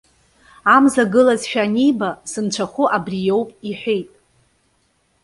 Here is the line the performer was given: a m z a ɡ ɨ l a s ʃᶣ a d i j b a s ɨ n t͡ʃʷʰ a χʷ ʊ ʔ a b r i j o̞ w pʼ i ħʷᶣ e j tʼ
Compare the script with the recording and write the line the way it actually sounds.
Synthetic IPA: a m z a ɡ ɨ l a z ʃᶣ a n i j b a s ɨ n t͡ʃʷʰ a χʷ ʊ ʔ a b r i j o̞ w pʼ i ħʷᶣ e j tʼ